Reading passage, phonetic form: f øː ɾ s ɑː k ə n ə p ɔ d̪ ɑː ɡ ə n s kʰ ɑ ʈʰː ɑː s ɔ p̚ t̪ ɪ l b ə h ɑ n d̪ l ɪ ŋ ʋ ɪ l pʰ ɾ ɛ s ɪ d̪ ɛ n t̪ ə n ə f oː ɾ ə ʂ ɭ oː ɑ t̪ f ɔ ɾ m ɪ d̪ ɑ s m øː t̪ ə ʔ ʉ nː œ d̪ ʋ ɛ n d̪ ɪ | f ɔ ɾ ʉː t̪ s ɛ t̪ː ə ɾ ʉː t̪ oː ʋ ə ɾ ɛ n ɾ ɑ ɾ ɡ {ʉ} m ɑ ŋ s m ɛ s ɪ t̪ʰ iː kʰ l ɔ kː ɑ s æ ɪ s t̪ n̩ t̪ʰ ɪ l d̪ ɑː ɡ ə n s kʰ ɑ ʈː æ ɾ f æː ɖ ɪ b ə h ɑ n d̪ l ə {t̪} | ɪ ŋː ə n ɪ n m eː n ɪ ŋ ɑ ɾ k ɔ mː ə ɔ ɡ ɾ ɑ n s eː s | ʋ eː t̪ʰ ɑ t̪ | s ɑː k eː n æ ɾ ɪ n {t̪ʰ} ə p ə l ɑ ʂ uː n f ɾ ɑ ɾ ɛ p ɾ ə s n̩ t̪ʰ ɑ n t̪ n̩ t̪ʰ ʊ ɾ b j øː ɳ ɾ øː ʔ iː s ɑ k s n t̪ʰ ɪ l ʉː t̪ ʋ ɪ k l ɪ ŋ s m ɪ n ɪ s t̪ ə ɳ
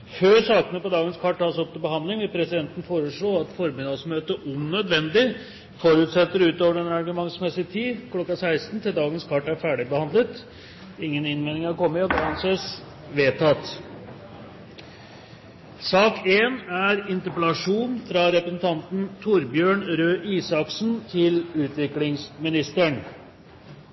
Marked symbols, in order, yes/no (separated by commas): yes, yes, no